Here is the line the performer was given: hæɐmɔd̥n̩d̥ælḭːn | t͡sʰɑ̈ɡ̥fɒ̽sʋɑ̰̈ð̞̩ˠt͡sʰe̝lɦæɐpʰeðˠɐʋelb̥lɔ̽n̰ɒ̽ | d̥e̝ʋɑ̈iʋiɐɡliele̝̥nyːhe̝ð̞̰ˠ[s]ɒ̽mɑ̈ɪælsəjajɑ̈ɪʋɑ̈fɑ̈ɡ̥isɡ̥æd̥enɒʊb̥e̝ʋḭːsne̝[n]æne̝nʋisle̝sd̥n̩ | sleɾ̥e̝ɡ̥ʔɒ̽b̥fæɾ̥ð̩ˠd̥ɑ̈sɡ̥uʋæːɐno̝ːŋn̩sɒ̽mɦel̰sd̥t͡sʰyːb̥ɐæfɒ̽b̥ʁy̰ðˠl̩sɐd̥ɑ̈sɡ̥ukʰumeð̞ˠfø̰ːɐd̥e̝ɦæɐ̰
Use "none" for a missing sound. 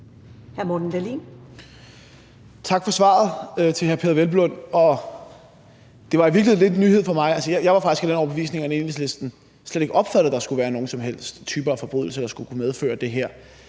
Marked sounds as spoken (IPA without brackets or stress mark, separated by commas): f, ŋ